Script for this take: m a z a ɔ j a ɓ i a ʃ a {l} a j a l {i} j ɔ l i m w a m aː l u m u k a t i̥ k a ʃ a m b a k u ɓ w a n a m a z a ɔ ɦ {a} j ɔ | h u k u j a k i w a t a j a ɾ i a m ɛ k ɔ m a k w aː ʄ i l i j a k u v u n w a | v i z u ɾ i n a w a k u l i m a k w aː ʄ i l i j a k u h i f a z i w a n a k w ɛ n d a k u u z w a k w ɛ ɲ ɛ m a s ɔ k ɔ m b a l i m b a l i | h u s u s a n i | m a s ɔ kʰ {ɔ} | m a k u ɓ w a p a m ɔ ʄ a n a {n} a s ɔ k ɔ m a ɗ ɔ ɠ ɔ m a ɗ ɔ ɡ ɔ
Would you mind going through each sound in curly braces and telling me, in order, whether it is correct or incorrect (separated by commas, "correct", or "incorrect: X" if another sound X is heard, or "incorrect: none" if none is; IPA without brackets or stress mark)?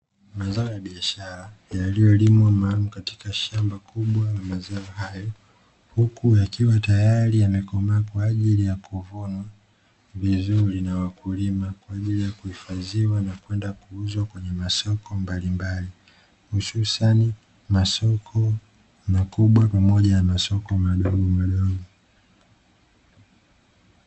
incorrect: ɾ, correct, correct, correct, incorrect: m